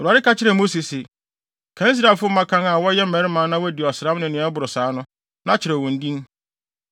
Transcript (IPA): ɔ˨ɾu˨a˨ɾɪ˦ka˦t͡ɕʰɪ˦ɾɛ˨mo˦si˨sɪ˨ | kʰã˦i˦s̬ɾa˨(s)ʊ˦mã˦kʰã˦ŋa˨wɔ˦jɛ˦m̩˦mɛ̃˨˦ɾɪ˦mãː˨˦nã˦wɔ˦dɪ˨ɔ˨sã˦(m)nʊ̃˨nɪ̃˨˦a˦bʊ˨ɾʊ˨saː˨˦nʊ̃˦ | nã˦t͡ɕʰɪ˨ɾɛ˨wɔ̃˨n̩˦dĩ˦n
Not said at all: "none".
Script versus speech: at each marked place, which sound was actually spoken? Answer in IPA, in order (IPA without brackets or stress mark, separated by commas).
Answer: f, m